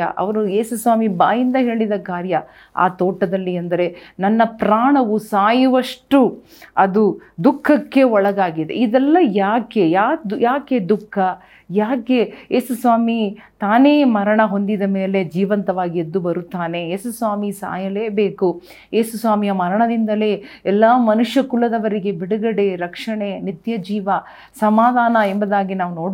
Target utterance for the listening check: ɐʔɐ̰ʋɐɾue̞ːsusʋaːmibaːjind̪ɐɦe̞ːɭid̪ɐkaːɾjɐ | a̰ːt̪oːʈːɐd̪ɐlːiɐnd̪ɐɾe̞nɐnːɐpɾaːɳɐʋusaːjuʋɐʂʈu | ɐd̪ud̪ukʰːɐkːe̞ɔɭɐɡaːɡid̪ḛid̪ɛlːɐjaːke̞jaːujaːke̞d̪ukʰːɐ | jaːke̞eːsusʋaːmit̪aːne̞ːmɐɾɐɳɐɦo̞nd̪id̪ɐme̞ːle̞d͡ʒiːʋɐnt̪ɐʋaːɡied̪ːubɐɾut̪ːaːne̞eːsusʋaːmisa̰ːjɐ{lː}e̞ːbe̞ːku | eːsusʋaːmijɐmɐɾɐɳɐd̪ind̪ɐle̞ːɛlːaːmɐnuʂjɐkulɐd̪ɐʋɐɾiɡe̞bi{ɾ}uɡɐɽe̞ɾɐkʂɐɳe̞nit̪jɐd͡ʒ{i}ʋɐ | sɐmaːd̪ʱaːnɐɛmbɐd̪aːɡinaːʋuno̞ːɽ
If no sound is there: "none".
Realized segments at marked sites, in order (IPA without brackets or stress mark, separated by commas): l, ɽ, iː